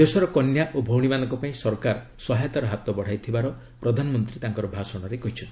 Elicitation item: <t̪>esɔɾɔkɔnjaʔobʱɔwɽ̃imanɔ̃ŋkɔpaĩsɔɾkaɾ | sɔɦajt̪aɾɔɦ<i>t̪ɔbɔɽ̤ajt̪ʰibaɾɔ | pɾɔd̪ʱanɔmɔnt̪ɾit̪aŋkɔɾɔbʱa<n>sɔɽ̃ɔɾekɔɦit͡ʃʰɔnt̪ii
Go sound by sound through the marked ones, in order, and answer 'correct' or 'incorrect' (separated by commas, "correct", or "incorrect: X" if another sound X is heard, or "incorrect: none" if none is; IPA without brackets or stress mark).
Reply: incorrect: d̪, incorrect: a, incorrect: none